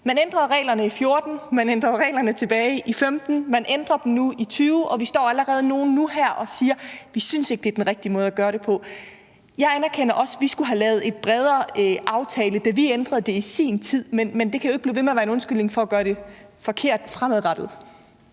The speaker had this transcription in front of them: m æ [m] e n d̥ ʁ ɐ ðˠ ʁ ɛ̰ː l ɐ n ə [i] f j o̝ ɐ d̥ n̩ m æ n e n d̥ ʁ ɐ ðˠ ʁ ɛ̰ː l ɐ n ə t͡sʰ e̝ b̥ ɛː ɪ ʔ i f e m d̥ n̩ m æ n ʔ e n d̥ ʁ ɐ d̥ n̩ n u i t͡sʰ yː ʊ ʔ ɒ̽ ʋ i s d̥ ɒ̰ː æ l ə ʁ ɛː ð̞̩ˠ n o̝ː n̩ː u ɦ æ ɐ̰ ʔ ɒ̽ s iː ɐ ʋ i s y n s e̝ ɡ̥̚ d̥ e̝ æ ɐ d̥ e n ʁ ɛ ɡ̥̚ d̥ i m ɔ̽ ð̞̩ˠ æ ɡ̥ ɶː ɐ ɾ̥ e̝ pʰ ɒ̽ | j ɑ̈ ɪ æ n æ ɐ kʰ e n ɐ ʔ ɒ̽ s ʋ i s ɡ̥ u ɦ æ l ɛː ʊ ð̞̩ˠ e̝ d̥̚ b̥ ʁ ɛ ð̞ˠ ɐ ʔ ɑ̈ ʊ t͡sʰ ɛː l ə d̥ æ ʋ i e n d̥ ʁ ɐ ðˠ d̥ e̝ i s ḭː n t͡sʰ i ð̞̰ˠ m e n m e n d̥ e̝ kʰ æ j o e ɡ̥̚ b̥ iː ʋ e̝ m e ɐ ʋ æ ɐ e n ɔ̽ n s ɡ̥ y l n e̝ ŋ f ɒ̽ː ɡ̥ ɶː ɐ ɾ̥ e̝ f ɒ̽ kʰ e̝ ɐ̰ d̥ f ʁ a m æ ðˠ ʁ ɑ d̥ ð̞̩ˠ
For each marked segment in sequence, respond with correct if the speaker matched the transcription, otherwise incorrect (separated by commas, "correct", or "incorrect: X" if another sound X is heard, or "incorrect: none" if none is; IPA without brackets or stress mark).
incorrect: n, correct